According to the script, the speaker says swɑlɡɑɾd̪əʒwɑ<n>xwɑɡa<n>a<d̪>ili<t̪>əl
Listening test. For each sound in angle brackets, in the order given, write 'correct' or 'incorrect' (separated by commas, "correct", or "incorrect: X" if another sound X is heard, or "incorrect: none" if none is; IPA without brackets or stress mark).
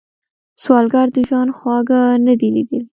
correct, correct, correct, incorrect: d̪